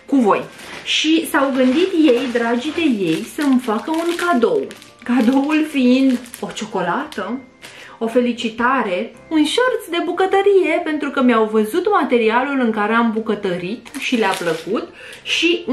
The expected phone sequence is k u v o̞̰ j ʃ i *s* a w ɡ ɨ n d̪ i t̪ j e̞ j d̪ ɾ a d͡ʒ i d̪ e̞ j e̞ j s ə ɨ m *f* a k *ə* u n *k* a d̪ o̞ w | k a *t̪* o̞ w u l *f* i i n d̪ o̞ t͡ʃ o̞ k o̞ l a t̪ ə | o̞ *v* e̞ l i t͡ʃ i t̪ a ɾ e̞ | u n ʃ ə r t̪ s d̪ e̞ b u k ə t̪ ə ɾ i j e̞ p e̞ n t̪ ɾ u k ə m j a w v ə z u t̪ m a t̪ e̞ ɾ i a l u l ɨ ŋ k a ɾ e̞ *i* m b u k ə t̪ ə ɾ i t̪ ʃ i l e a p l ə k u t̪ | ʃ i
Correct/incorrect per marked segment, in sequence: correct, correct, correct, correct, incorrect, correct, incorrect, incorrect

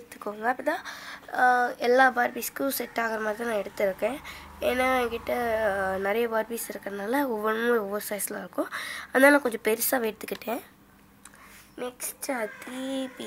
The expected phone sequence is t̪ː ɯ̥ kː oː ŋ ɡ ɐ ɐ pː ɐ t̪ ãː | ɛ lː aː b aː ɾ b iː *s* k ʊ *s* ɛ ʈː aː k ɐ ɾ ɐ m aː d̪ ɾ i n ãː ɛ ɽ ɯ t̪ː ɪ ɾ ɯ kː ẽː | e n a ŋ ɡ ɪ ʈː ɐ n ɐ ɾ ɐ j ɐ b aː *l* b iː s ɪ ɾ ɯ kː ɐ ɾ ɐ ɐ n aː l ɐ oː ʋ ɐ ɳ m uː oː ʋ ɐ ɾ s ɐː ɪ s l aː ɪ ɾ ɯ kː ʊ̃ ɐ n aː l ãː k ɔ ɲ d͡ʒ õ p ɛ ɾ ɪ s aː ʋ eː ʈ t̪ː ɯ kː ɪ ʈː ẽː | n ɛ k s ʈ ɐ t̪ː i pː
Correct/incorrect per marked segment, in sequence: correct, correct, incorrect

